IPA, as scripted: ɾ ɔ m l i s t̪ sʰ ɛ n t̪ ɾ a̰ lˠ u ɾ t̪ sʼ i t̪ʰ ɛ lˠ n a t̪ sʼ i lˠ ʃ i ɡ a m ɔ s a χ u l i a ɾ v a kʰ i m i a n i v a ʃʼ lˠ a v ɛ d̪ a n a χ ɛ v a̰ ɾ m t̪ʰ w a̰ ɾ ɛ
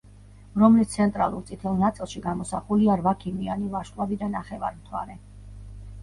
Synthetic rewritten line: ɾ ɔ m l i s t̪ sʰ ɛ n t̪ʼ ɾ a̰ lˠ u ɾ t̪ sʼ i t̪ʰ ɛ lˠ n a t̪ sʼ i lˠ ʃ i ɡ a m ɔ s a χ u l i a ɾ v a kʰ i m i a n i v a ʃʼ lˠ a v i d̪ a n a χ ɛ v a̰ ɾ m t̪ʰ w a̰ ɾ ɛ